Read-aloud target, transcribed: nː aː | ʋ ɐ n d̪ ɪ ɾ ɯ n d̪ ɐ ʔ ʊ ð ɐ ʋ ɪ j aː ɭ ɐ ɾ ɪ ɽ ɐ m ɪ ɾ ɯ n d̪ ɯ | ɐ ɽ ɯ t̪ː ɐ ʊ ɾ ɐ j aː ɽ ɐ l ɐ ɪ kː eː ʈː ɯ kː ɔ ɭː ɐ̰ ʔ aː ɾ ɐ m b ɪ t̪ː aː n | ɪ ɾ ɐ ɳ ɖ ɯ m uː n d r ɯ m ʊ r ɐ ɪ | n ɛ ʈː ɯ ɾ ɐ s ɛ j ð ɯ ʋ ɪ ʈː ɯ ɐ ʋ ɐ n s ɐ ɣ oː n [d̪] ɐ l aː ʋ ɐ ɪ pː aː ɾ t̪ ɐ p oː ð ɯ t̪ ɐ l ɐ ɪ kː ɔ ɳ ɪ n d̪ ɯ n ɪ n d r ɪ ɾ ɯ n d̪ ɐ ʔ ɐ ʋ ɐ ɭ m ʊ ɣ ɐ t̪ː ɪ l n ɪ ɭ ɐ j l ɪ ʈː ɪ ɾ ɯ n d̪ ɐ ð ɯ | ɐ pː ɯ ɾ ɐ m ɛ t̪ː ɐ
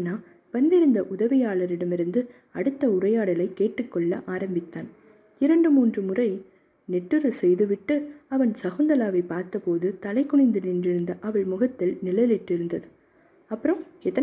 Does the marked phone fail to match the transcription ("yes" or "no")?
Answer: no